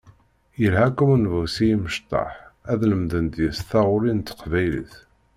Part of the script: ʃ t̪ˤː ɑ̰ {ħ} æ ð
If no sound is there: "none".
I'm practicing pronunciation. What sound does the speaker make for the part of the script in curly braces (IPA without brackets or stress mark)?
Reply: ħ